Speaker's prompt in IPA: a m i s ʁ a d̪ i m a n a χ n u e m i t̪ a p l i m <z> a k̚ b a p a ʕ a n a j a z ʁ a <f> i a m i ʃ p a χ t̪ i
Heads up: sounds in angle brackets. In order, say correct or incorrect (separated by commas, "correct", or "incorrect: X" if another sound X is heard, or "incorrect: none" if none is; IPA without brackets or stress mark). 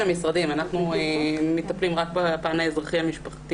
incorrect: ʁ, incorrect: χ